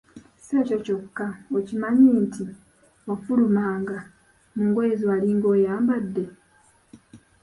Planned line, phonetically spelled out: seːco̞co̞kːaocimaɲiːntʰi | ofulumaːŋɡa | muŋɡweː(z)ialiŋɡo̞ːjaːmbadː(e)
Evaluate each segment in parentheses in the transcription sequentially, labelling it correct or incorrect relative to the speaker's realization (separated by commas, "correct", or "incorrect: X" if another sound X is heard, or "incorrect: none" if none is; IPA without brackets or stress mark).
correct, correct